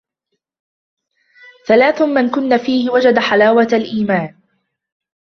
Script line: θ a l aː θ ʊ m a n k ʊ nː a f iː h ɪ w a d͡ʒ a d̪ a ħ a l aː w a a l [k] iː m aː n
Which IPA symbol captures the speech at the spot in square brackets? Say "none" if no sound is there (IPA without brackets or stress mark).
ʔ